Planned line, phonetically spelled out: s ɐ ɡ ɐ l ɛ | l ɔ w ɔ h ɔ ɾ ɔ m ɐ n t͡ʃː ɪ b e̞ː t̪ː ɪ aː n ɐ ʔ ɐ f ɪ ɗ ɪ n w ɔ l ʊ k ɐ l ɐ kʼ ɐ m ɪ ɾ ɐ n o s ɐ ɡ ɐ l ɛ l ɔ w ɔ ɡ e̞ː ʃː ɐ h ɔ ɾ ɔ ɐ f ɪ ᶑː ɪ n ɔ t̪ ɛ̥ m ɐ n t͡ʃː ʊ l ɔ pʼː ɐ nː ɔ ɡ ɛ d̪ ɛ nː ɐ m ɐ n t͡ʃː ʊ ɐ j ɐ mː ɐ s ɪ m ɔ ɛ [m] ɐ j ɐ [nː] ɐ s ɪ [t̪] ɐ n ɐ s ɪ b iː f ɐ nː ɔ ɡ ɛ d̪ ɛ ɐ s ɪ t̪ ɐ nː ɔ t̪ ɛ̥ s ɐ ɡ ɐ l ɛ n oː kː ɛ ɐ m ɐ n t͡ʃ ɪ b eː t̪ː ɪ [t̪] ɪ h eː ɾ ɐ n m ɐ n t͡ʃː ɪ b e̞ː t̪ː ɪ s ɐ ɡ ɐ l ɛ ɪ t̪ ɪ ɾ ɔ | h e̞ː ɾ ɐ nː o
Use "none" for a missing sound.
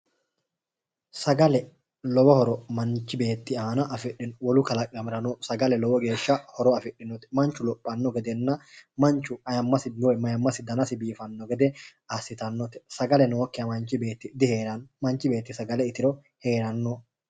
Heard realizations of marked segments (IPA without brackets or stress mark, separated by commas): m, mː, d̪, d̪